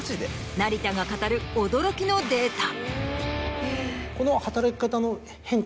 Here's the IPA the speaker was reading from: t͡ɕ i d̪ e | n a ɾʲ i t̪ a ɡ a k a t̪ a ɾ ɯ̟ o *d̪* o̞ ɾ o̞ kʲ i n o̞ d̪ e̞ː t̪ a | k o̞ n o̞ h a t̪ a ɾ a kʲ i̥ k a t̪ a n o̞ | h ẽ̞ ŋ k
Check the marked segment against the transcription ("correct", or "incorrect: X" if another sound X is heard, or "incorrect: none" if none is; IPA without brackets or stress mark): correct